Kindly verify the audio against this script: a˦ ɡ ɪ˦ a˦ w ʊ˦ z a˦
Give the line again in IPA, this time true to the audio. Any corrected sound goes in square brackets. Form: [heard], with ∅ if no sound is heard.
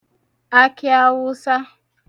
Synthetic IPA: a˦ [k] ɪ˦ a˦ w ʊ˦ [s] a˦